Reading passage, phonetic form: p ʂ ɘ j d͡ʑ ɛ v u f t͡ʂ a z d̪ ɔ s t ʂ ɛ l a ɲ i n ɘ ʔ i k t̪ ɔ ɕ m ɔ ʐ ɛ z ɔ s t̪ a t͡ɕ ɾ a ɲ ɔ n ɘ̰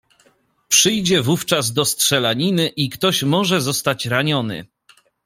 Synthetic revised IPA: p ʂ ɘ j d͡ʑ ɛ v u f t͡ʂ a z d̪ ɔ s t ʂ ɛ l a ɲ i n ɘ ʔ i k t̪ ɔ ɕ m ɔ ʐ ɛ z ɔ s t̪ a t͡ɕ ɾ a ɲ ɔ n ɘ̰